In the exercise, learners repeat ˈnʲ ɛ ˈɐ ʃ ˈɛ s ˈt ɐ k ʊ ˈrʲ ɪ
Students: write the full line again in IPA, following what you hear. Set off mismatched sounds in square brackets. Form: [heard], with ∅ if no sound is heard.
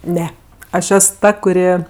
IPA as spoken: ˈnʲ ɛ ˈɐ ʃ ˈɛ s ˈt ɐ k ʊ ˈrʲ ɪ